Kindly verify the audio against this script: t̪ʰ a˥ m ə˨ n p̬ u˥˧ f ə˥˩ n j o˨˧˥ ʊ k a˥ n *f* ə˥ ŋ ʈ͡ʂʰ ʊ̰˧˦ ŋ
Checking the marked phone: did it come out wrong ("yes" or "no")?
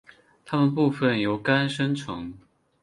yes